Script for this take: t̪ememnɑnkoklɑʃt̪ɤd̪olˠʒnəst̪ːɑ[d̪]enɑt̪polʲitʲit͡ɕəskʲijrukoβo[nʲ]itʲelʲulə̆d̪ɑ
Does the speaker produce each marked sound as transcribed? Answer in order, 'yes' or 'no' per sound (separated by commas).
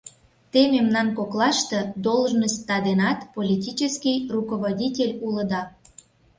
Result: yes, no